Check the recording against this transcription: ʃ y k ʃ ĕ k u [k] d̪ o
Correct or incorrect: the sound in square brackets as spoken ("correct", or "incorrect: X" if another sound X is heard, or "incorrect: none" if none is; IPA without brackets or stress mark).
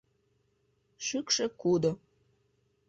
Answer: incorrect: none